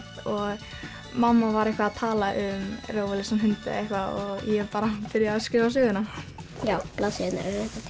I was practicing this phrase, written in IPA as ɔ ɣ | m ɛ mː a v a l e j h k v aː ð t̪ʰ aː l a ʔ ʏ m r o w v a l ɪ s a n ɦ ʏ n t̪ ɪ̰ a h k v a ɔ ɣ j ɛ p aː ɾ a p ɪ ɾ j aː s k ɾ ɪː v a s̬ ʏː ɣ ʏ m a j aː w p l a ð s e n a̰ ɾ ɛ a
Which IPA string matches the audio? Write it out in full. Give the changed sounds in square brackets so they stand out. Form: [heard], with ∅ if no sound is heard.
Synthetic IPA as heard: ɔ ɣ | m [a] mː a v a [ɾ] e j h k v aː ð t̪ʰ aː l a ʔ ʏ m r o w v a l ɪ s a n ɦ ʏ n t̪ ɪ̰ [e] h k v a ɔ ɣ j ɛ p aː ɾ a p ɪ ɾ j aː s k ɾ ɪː v a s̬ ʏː ɣ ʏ [n] a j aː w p l a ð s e n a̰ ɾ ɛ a